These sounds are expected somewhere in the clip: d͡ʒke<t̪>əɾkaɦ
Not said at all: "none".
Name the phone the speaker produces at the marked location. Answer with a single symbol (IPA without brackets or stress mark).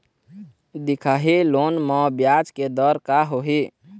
d̪